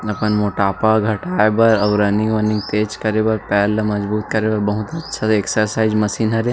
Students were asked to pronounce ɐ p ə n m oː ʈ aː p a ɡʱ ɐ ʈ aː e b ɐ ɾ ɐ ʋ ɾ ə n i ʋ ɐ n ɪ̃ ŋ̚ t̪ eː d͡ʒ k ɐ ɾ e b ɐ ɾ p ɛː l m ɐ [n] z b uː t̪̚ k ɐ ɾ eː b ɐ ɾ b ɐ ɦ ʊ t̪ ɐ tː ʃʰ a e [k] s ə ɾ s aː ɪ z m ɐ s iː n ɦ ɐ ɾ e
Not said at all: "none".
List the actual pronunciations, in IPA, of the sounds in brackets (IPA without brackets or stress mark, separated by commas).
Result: none, k